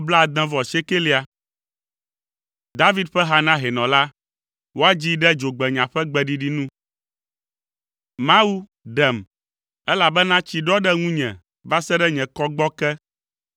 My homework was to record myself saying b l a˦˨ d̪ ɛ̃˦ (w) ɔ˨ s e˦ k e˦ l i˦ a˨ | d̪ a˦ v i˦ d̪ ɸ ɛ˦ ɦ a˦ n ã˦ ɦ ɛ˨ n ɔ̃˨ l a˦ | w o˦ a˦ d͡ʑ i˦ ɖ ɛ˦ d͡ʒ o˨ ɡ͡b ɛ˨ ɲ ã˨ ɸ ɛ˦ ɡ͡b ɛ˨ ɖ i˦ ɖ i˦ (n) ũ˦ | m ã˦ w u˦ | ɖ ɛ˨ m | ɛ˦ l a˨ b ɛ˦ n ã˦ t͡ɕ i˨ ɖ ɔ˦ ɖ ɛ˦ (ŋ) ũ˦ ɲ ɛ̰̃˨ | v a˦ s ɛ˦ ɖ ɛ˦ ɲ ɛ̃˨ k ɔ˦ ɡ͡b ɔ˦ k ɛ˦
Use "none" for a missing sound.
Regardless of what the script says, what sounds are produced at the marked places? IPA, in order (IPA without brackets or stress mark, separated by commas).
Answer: v, n, ŋ